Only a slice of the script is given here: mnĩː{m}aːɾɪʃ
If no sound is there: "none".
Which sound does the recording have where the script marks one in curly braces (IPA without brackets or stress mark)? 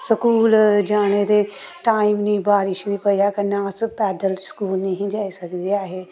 b